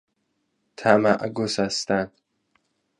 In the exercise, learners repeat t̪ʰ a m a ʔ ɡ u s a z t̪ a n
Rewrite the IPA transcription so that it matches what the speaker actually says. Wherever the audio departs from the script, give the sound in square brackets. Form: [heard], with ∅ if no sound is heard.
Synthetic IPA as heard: t̪ʰ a m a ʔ ɡ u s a [s] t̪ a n